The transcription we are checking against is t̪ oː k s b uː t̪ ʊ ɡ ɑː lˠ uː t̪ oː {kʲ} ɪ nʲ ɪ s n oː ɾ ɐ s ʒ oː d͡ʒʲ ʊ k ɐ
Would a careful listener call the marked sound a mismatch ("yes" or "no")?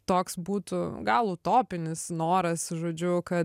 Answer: yes